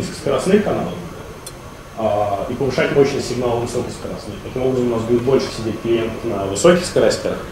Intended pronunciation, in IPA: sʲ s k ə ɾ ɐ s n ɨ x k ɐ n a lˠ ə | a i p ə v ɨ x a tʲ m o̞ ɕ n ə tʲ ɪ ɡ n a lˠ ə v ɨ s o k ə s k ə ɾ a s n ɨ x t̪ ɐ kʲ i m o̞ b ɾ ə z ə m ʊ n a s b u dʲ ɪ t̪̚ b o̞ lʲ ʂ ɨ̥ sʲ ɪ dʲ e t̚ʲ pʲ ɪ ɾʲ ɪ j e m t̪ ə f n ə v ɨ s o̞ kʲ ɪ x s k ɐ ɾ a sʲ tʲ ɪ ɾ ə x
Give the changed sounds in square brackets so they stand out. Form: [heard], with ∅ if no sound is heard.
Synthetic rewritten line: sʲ s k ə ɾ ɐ s n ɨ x k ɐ n a lˠ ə | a i p ə v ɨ [ʂ] a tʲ m o̞ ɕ n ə [sʲ] ɪ ɡ n a lˠ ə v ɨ s o k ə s k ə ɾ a s n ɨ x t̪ ɐ kʲ i m o̞ b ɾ ə z ə m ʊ n a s b u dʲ ɪ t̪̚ b o̞ lʲ ʂ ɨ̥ sʲ ɪ dʲ e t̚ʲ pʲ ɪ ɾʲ ɪ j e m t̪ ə f n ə v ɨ s o̞ kʲ ɪ x s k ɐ ɾ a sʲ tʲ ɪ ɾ ə x